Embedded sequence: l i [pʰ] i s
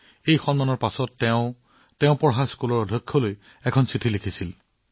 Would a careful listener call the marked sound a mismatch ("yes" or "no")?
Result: yes